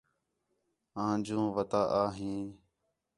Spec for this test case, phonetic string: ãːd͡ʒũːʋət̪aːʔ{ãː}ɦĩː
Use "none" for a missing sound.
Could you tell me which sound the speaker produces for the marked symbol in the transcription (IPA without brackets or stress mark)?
aː